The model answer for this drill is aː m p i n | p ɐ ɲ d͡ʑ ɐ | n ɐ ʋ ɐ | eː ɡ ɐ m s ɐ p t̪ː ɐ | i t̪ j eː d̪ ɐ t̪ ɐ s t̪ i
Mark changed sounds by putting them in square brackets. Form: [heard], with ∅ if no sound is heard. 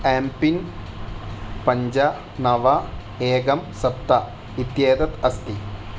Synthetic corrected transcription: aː m p i n | p ɐ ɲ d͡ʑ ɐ | n ɐ ʋ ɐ | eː ɡ ɐ m s ɐ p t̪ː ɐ | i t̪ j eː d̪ ɐ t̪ ɐ s t̪ i